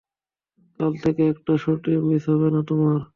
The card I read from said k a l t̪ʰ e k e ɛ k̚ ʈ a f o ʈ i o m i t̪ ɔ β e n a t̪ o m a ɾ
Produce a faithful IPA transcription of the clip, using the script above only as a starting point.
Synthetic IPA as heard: k a l t̪ʰ e k e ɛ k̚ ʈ a ʃ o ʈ i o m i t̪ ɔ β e n a t̪ o m a ɾ